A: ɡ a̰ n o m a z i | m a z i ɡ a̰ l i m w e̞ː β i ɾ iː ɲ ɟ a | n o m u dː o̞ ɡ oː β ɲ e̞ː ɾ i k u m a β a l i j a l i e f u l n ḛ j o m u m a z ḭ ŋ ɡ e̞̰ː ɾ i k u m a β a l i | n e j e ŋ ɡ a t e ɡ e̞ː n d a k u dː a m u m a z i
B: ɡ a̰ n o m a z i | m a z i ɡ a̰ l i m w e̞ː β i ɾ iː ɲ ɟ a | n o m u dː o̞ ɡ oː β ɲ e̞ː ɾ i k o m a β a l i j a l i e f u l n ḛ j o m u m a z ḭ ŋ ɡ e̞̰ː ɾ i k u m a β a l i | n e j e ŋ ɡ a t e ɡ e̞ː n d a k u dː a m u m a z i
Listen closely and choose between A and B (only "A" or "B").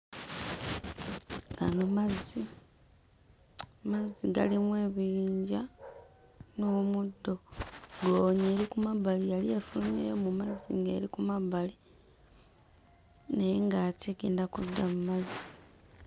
A